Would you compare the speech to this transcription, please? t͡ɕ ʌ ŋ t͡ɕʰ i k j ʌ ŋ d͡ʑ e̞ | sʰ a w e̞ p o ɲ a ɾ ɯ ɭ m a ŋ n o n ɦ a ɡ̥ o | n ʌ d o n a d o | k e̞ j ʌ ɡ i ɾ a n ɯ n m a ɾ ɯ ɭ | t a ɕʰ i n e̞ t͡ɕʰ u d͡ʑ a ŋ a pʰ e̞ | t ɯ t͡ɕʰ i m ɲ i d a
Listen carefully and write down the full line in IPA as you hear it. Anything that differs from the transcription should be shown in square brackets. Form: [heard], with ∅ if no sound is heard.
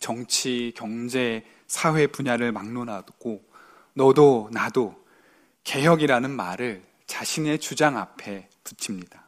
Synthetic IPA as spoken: t͡ɕ ʌ ŋ t͡ɕʰ i k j ʌ ŋ d͡ʑ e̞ | sʰ a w e̞ p [u] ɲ a ɾ ɯ ɭ m a ŋ n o n ɦ a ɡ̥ o | n ʌ d o n a d o | k e̞ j ʌ ɡ i ɾ a n ɯ n m a ɾ ɯ ɭ | [t͡ɕ] a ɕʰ i n e̞ [t͡ɕ] u d͡ʑ a ŋ a pʰ e̞ | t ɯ t͡ɕʰ i m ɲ i d a